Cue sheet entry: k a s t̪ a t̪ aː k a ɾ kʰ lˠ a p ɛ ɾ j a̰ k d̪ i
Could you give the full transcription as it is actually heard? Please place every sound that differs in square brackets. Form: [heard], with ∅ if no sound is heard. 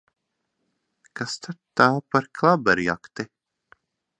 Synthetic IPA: k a s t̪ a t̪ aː [p] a ɾ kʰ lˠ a [b] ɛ ɾ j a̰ k [t̪] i